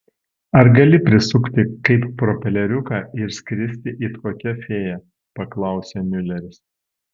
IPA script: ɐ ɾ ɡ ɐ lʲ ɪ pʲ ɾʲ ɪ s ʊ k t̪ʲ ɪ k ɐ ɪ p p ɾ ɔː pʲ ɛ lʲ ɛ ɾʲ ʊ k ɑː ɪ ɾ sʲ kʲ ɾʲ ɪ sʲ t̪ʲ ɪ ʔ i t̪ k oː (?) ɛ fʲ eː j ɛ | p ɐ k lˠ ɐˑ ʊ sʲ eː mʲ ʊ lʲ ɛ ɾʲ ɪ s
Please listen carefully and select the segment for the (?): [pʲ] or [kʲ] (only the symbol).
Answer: kʲ